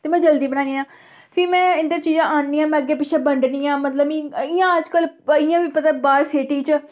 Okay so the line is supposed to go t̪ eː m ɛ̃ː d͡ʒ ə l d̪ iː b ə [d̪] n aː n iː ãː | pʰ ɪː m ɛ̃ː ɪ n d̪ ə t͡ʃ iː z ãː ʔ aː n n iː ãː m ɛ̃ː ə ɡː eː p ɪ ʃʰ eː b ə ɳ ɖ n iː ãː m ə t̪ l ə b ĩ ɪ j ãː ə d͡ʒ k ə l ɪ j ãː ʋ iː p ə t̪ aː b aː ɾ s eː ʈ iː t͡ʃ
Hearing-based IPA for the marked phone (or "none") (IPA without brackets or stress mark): none